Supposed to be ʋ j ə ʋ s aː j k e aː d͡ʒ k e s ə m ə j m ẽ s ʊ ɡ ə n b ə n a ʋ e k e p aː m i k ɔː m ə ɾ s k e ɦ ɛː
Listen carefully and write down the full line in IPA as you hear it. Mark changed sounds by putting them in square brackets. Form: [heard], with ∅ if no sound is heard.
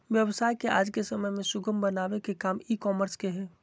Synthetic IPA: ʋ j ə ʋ s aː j k e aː d͡ʒ k e s ə m ə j m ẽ s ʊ ɡ ə [m] b ə n a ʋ e k e [k] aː m i k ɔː m ə ɾ s k e ɦ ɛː